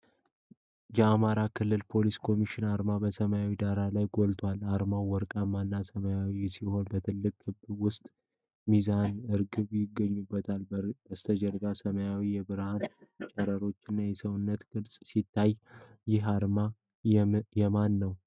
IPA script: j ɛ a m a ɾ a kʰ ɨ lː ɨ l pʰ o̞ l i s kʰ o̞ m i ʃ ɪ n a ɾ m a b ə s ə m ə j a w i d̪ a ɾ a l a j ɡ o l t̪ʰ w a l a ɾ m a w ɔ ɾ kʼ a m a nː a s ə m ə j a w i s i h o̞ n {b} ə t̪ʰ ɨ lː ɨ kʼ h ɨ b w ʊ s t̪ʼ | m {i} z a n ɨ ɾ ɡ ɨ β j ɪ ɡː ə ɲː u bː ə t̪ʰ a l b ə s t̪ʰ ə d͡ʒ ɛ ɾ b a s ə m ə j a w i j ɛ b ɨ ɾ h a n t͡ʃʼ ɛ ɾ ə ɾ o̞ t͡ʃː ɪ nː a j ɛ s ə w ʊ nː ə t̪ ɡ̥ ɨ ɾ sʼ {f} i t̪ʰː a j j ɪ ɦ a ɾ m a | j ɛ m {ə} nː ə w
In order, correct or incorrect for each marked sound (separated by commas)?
correct, correct, incorrect, incorrect